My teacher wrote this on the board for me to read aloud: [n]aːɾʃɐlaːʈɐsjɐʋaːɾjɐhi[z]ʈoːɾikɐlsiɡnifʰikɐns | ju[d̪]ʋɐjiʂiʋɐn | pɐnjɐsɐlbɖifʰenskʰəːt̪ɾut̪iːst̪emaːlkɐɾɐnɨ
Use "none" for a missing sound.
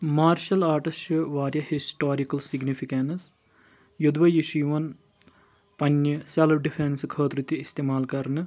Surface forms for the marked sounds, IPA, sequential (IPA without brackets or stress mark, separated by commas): m, s, d̪